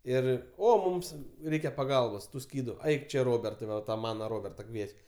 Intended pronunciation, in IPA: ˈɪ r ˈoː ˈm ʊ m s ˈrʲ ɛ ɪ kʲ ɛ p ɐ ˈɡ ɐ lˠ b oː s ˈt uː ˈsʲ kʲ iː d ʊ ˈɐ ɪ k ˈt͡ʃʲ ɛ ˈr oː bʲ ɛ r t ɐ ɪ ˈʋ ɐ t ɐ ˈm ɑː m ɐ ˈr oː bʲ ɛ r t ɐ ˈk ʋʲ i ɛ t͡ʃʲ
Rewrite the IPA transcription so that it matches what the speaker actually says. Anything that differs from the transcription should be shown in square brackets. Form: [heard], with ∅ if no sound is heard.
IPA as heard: ˈɪ r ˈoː ˈm ʊ m s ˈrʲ ɛ ɪ kʲ ɛ p ɐ ˈɡ ɐ lˠ b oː s ˈt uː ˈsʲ kʲ iː d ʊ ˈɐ ɪ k ˈt͡ʃʲ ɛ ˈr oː bʲ ɛ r t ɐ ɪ ˈʋ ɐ t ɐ ˈm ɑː [n] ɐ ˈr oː bʲ ɛ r t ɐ ˈk ʋʲ i ɛ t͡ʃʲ